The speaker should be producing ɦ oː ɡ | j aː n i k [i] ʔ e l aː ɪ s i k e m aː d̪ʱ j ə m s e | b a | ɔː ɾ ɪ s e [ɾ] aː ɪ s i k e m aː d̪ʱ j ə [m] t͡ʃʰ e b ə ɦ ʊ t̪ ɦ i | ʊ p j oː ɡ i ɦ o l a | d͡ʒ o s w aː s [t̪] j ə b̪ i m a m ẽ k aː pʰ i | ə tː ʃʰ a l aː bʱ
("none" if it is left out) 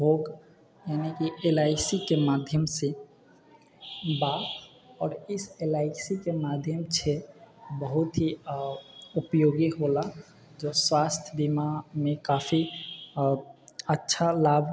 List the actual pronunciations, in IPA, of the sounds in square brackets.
i, l, m, t̪ʰ

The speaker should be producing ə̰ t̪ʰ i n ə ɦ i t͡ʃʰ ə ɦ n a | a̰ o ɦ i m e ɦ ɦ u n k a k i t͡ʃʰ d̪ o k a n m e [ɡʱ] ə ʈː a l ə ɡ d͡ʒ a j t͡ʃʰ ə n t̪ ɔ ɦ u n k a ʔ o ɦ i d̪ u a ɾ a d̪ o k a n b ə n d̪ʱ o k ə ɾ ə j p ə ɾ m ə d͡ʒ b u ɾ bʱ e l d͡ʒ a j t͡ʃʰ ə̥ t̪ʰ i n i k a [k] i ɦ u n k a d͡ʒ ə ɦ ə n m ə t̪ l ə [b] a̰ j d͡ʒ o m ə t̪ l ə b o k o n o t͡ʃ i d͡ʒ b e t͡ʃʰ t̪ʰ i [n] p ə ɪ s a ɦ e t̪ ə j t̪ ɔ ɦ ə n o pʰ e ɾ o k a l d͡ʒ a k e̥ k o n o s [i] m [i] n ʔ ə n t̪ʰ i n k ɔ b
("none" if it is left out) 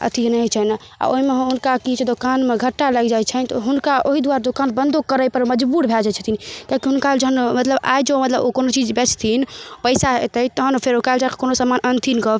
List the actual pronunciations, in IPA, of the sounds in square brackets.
ɡʱ, k, b, n, a, a

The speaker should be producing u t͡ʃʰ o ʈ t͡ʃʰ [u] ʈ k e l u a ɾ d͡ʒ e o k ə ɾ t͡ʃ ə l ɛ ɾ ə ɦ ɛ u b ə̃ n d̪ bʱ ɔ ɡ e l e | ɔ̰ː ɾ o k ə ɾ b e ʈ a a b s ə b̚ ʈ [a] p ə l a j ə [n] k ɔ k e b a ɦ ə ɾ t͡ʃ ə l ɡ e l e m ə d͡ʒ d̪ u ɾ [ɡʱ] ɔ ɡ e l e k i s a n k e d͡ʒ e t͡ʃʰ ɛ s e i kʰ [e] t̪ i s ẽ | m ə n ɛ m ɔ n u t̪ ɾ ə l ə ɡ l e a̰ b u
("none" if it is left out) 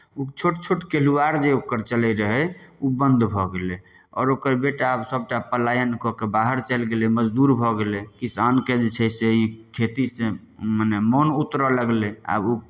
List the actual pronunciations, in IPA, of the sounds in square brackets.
o, a, n, bʱ, e

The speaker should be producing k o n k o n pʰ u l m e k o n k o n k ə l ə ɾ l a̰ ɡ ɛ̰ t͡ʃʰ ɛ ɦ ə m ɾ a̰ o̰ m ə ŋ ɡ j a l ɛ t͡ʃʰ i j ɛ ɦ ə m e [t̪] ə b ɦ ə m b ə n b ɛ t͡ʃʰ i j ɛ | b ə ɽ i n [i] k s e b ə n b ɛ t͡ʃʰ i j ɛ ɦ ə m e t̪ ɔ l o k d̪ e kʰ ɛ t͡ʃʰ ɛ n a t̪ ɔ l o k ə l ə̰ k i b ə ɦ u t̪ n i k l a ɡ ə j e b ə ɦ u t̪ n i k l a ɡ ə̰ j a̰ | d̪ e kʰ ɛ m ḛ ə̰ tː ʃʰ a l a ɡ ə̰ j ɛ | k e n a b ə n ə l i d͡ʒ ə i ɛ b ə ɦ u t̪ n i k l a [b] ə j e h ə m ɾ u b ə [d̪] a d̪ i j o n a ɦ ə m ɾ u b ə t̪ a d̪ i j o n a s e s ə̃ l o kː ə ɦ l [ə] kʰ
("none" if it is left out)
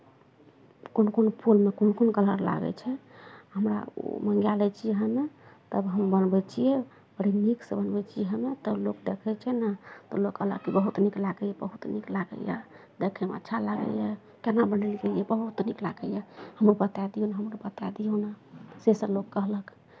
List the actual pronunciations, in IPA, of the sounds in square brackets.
t̪, i, ɡ, t̪, ə

